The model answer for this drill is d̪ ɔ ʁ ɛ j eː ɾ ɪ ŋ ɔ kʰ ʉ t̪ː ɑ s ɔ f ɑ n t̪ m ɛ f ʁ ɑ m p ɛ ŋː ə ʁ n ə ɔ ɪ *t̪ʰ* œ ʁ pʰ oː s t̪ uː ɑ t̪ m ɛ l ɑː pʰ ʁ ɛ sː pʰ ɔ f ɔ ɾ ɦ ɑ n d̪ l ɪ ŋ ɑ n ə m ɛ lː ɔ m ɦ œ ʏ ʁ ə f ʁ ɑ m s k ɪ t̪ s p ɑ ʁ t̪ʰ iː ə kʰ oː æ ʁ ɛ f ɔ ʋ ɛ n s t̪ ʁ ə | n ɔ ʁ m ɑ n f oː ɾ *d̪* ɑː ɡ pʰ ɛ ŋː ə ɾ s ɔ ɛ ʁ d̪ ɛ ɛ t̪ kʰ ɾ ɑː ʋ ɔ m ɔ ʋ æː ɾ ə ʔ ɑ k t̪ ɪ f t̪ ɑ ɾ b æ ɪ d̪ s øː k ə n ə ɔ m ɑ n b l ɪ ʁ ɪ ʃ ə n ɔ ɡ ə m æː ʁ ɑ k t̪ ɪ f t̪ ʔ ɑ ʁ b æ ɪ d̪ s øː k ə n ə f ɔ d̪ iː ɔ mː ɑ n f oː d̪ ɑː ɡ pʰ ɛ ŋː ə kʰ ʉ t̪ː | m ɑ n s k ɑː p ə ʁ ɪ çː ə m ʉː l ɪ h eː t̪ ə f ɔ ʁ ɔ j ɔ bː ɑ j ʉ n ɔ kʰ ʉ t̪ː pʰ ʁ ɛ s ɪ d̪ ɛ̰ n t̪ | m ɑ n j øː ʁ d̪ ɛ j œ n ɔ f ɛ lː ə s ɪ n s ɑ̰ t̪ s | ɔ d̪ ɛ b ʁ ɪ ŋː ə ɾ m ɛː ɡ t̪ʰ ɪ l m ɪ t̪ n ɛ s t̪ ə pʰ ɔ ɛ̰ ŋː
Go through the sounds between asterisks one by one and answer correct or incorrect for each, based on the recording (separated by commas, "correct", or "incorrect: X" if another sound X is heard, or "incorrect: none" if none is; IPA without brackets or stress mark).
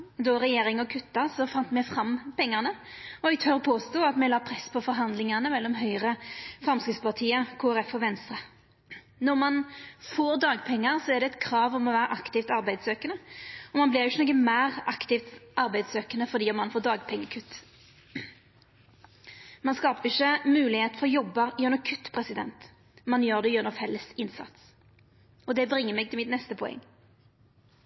correct, correct